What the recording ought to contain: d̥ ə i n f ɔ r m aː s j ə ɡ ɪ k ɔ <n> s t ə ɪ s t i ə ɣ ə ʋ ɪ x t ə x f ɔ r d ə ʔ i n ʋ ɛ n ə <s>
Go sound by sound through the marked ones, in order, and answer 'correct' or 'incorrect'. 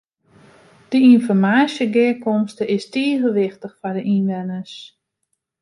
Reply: incorrect, correct

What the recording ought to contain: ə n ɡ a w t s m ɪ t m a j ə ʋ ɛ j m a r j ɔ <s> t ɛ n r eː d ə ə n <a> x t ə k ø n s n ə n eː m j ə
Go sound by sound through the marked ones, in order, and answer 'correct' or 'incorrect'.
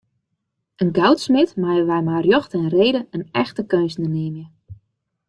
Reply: incorrect, incorrect

